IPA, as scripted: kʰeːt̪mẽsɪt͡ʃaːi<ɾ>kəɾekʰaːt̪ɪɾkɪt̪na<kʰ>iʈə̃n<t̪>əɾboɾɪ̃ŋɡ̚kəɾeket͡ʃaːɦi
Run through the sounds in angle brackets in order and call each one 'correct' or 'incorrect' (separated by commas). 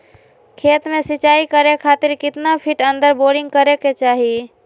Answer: incorrect, incorrect, incorrect